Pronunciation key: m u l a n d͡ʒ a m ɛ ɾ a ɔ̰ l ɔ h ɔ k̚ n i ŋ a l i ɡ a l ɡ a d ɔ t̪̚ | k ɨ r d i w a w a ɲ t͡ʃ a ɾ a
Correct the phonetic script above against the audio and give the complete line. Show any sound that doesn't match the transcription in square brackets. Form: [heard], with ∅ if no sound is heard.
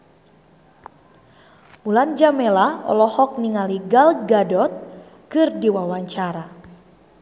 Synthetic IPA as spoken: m u l a n d͡ʒ a m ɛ [l] a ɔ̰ l ɔ h ɔ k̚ n i ŋ a l i ɡ a l ɡ a d ɔ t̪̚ | k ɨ r d i w a w a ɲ t͡ʃ a ɾ a